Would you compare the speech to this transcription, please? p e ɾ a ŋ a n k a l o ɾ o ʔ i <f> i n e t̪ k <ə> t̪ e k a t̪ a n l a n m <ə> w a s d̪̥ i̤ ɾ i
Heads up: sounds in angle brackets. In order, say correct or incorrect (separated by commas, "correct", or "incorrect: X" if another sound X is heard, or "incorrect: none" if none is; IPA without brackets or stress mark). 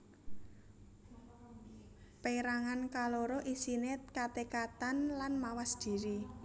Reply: incorrect: s, incorrect: a, incorrect: a